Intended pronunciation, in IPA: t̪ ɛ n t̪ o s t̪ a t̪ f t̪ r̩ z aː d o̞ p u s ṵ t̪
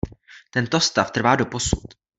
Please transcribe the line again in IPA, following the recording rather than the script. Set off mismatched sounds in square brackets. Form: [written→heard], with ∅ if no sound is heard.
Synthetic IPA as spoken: t̪ ɛ n t̪ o s t̪ a [t̪→∅] f t̪ r̩ [z→v] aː d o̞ p [u→o] s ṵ t̪

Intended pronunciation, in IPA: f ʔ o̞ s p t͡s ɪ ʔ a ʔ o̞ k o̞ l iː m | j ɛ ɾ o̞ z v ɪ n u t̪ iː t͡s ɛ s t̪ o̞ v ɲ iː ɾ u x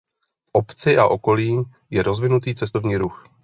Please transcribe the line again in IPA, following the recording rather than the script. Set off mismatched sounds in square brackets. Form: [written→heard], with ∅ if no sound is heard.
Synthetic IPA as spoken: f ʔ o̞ [s→∅] p t͡s ɪ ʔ a ʔ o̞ k o̞ l iː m | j ɛ ɾ o̞ z v ɪ n u t̪ iː t͡s ɛ s t̪ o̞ v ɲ iː ɾ u x

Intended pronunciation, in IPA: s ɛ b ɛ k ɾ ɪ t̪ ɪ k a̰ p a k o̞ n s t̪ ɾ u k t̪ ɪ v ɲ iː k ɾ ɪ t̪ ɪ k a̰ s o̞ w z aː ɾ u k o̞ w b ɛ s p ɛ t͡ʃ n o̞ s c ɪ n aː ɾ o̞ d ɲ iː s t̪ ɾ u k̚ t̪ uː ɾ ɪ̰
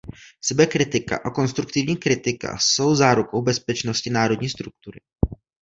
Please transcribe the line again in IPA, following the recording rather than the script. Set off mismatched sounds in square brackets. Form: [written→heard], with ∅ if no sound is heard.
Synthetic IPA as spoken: s ɛ b ɛ k ɾ ɪ t̪ ɪ k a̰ [p→ʔ] a k o̞ n s t̪ ɾ u k t̪ ɪ v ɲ iː k ɾ ɪ t̪ ɪ k a̰ s o̞ w z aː ɾ u k o̞ w b ɛ s p ɛ t͡ʃ n o̞ s c ɪ n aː ɾ o̞ d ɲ iː s t̪ ɾ u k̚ t̪ [uː→u] ɾ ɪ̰

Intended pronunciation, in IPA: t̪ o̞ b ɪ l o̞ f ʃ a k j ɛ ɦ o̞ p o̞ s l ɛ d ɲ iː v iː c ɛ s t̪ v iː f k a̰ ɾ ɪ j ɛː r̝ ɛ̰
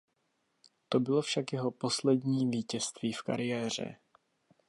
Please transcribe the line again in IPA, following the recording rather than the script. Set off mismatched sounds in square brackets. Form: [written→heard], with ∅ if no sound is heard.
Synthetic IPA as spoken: t̪ o̞ b ɪ l o̞ f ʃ a k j ɛ ɦ o̞ p o̞ s l ɛ d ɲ iː v iː c ɛ s t̪ v iː f k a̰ ɾ ɪ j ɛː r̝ ɛ̰

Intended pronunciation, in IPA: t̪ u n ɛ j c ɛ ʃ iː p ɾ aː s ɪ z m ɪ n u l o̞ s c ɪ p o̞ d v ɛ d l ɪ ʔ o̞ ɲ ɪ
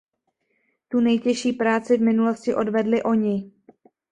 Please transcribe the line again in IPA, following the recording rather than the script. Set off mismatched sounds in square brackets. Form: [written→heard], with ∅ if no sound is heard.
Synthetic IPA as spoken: t̪ u n ɛ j c ɛ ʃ iː p ɾ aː [s→t͡s] ɪ [z→v] m ɪ n u l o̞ s c ɪ [p→ʔ] o̞ d v ɛ d l ɪ ʔ o̞ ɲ ɪ

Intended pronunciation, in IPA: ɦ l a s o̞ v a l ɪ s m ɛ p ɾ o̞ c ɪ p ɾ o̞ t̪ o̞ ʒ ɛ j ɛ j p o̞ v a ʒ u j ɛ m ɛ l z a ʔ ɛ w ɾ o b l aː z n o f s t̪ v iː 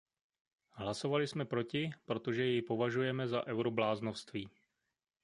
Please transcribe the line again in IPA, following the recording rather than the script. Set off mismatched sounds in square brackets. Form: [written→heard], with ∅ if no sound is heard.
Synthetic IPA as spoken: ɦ l a s o̞ v a l ɪ s m ɛ p ɾ o̞ c ɪ p ɾ o̞ t̪ o̞ ʒ ɛ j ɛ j p o̞ v a ʒ u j ɛ m ɛ [l→∅] z a ʔ ɛ w ɾ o b l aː z n o f s t̪ v iː

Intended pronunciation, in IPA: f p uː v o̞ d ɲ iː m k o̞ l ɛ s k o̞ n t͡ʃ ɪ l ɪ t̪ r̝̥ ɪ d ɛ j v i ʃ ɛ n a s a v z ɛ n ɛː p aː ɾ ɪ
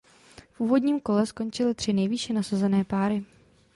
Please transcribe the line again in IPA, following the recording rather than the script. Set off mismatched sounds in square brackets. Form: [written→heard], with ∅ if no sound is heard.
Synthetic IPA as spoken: f [p→ʔ] uː v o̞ d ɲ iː m k o̞ l ɛ s k o̞ n t͡ʃ ɪ l ɪ t̪ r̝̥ ɪ [d→n] ɛ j v i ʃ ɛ n a s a [v→∅] z ɛ n ɛː p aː ɾ ɪ

